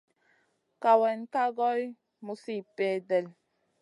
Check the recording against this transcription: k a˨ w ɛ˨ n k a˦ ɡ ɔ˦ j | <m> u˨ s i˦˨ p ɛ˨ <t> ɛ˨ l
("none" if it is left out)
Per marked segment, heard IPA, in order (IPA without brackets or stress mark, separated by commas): m, d